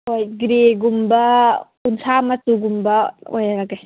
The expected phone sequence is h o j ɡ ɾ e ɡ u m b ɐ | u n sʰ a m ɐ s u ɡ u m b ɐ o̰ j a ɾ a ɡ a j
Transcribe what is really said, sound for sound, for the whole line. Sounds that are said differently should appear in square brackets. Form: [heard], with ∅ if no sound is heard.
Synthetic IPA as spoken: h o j ɡ ɾ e ɡ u m b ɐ | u n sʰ a m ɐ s u ɡ u m b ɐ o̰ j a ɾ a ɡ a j